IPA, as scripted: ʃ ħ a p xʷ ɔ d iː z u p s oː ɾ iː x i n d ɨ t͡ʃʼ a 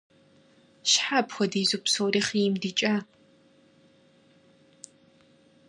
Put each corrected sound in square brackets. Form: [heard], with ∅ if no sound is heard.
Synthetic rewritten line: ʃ ħ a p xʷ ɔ d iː z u p s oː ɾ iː [χ] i [m] d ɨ t͡ʃʼ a